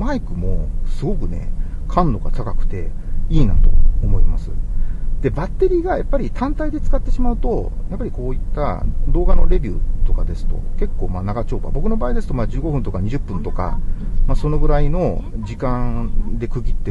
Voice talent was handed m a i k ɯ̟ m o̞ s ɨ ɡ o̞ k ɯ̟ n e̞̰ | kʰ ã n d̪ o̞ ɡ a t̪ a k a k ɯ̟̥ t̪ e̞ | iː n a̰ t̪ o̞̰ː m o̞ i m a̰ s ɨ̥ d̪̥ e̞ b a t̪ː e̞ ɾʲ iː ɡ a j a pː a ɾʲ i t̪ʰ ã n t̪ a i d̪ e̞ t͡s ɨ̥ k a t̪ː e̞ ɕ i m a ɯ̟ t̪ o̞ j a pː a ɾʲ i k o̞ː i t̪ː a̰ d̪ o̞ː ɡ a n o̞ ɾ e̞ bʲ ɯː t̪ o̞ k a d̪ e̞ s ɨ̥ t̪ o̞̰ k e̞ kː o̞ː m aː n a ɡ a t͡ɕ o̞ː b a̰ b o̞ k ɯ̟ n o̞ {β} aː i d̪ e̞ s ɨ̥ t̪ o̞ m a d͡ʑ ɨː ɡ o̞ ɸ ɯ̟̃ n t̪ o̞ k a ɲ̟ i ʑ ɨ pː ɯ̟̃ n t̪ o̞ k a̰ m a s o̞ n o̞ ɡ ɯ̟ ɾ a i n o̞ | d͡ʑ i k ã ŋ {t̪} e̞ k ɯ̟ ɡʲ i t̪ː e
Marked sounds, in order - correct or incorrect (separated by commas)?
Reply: incorrect, incorrect